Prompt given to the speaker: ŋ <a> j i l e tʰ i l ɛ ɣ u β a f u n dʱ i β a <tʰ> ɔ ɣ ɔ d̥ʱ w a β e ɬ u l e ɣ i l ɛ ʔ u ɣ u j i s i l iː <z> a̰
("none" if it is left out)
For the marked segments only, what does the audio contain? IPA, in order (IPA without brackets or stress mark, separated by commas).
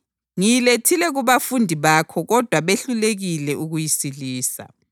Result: i, kʰ, s